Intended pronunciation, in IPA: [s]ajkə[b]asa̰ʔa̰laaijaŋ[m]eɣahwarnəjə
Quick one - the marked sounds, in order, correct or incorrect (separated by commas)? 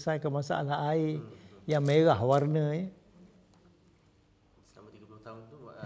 correct, incorrect, correct